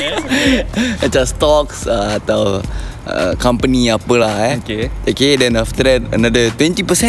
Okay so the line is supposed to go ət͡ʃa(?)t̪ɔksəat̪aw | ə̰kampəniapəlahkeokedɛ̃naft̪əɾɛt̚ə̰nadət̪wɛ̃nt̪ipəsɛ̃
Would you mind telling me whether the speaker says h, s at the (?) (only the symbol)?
s